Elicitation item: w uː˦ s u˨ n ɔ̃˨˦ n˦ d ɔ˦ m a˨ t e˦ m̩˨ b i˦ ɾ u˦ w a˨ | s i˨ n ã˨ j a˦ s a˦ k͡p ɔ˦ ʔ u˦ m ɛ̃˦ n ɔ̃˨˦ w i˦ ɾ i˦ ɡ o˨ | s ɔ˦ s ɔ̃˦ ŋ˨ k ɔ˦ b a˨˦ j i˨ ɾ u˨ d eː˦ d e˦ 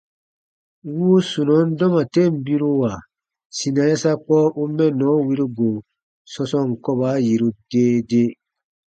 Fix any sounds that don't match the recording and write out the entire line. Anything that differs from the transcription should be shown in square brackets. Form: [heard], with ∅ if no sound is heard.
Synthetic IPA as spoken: w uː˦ s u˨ n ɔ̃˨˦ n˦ d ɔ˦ m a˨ t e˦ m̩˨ b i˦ ɾ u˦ w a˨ | s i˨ n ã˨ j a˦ s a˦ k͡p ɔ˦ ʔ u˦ m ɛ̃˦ n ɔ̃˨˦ w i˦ ɾ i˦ ɡ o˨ | s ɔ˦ s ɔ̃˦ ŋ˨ k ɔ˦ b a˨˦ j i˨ ɾ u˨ d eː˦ d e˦